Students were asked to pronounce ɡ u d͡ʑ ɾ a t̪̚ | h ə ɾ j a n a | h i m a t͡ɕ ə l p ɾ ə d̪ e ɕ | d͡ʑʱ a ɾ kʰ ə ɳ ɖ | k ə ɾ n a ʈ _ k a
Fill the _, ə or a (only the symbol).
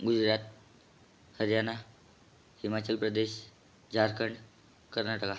ə